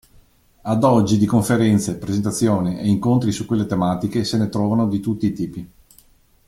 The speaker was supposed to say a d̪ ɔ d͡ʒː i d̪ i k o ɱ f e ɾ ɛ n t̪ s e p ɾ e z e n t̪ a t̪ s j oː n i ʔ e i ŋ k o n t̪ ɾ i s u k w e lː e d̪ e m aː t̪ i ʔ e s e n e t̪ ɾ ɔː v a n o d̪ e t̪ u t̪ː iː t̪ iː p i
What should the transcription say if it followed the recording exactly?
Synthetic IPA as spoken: a d̪ ɔ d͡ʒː i d̪ i k o ɱ f e ɾ ɛ n t̪ s e p ɾ e z e n t̪ a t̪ sː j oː n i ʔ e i ŋ k o n t̪ ɾ i s u k w e lː e t̪ e m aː t̪ i k e s e n e t̪ ɾ ɔː v a n o d̪ i t̪ u t̪ː iː t̪ iː p i